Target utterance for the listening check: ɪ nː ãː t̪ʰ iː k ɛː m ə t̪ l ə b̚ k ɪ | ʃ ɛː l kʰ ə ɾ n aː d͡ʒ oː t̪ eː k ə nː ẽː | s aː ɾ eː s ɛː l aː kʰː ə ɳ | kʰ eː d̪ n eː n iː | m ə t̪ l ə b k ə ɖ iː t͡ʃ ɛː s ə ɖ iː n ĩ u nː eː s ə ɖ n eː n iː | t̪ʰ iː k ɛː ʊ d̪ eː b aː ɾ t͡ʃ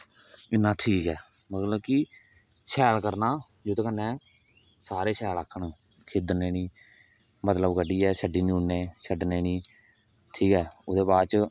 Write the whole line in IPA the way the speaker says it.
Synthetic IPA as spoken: ɪ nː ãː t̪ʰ iː k ɛː m ə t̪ l ə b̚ k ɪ | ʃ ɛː l k ə ɾ n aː d͡ʒ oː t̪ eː k ə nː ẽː | s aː ɾ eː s ɛː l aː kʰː ə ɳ | kʰ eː d̪ n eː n iː | m ə t̪ l ə b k ə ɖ iː ɛː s ə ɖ iː n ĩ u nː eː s ə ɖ n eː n iː | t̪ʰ iː k ɛː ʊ d̪ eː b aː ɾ t͡ʃ